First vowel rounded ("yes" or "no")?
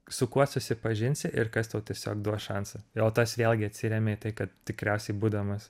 yes